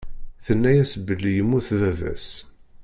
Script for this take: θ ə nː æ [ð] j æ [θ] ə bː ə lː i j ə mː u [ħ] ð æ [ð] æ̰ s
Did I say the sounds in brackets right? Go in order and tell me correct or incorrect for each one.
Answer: incorrect: none, incorrect: s, incorrect: θ, incorrect: v

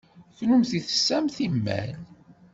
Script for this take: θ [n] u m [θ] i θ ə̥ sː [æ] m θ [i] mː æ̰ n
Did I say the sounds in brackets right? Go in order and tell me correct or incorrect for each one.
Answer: correct, correct, correct, correct

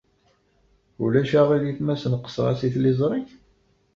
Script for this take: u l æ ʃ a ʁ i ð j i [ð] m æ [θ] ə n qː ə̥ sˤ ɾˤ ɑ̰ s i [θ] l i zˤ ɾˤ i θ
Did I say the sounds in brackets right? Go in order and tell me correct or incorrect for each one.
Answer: incorrect: θ, incorrect: s, correct

